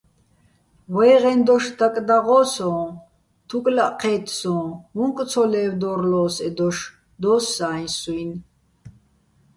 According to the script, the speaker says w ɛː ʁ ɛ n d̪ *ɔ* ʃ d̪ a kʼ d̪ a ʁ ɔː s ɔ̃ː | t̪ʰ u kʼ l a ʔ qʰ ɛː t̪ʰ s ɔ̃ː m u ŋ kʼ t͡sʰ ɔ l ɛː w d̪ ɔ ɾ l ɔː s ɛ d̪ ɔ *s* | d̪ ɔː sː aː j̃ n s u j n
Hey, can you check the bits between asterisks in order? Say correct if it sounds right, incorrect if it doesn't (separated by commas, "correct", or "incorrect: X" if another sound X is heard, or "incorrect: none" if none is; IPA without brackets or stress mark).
correct, incorrect: ʃ